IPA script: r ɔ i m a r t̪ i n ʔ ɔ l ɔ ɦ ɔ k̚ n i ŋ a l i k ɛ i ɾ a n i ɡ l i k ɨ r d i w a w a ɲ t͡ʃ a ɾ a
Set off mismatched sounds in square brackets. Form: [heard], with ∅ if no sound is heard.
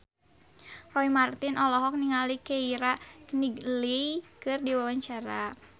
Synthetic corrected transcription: r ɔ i m a r t̪ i n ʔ ɔ l ɔ ɦ ɔ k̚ n i ŋ a l i k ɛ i ɾ a n i ɡ l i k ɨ r d i w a w a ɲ t͡ʃ a ɾ a